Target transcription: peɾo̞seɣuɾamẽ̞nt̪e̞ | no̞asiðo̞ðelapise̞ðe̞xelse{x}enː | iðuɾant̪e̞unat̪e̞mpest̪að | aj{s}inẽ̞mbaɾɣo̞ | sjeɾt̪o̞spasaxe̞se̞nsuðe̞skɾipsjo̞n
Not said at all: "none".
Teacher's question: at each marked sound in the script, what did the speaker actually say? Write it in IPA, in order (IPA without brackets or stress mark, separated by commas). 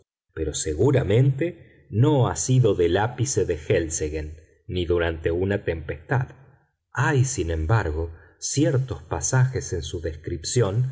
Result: ɣ, s